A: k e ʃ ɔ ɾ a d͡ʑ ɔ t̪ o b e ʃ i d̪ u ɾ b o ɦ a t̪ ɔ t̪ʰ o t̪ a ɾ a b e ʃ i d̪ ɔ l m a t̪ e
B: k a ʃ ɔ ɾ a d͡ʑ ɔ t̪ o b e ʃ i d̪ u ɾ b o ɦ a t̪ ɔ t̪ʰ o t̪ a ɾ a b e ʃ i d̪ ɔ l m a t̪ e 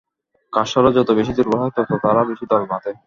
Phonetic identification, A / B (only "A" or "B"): B